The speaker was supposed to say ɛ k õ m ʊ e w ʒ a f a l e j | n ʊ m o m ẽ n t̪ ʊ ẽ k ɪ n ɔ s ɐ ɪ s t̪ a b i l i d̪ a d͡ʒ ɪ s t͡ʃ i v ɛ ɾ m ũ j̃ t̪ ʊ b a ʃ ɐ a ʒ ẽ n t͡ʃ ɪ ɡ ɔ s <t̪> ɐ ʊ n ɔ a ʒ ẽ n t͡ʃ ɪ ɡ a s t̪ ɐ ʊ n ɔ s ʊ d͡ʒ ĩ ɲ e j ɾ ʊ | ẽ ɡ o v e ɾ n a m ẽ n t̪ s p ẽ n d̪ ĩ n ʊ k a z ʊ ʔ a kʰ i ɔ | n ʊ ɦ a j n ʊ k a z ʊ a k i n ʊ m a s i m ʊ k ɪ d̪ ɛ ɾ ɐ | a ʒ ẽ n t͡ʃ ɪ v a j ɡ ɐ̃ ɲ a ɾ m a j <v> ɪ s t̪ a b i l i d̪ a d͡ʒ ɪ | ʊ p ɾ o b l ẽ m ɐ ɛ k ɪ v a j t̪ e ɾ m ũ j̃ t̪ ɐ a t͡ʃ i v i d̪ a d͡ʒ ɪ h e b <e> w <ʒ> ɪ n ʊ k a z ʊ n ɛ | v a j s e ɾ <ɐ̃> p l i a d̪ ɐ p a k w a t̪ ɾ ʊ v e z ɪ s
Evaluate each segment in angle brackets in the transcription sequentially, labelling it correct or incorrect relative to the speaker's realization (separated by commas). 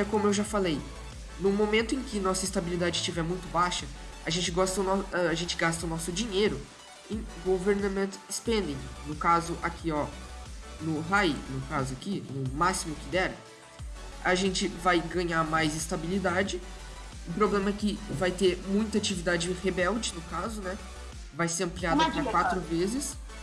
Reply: correct, incorrect, incorrect, incorrect, correct